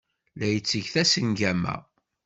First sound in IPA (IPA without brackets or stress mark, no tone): l